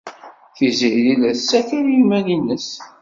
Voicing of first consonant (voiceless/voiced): voiceless